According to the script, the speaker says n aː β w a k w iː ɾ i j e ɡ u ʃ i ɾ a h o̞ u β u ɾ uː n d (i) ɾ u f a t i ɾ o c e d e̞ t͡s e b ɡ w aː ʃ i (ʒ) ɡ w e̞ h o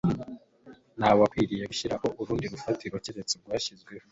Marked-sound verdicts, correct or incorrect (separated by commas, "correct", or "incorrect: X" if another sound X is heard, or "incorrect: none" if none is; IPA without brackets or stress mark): correct, incorrect: z